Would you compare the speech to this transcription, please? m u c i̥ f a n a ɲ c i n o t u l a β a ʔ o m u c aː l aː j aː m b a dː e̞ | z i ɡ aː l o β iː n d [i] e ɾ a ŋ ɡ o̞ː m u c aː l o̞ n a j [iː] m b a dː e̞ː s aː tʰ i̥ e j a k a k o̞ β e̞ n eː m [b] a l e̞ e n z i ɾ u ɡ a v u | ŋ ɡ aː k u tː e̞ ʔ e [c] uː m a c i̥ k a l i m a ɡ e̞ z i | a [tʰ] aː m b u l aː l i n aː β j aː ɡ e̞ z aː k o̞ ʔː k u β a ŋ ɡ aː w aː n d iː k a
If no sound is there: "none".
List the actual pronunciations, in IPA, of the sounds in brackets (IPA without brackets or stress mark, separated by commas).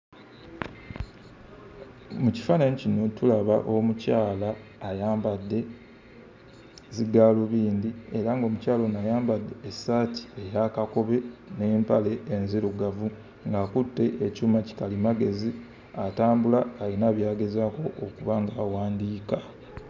i, aː, p, c, t